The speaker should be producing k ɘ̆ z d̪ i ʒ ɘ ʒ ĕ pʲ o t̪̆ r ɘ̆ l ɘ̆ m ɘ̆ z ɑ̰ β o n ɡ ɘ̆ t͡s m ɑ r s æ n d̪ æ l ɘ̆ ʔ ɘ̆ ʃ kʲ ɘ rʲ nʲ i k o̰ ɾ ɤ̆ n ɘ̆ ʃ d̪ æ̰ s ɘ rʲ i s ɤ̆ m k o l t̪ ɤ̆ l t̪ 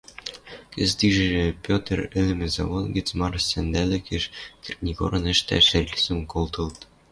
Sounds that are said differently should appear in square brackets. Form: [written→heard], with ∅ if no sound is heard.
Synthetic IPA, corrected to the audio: k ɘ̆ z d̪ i ʒ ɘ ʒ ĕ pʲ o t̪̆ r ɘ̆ l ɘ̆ m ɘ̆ z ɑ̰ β o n ɡ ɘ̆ t͡s m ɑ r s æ n d̪ æ l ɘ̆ [ʔ→k] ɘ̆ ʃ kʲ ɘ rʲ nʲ i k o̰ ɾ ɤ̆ n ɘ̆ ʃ [d̪→t̪] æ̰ [s→ʃ] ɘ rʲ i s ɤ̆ m k o l t̪ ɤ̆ l t̪

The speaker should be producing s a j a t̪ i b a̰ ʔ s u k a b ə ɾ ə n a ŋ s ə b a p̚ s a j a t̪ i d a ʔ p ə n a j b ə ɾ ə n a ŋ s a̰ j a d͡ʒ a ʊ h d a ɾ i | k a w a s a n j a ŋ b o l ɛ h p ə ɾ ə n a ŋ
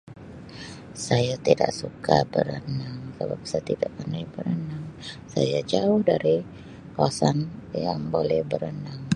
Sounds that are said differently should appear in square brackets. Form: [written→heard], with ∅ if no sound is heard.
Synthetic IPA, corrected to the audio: s a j a t̪ i [b→d] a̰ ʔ s u k a b ə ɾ ə n a ŋ s ə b a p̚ s a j a t̪ i d a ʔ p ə n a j b ə ɾ ə n a ŋ s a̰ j a d͡ʒ a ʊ h d a ɾ i | k a w a s a n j a ŋ b o l ɛ h [p→b] ə ɾ ə n a ŋ

